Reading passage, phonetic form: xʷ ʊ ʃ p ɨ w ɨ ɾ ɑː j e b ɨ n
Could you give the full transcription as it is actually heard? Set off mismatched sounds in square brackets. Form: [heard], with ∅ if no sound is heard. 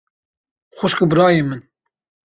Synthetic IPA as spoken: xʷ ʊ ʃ [k] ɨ [b] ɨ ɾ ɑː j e [m] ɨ n